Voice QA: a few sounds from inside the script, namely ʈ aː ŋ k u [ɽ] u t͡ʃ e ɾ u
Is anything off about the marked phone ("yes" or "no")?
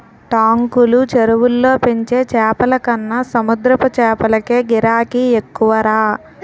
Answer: yes